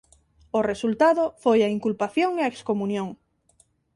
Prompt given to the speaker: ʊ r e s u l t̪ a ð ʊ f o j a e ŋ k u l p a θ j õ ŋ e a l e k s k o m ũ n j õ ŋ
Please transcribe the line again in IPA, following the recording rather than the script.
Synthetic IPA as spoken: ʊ r e s u l t̪ a ð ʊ f o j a i ŋ k u l p a θ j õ ŋ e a e k s k o m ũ n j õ ŋ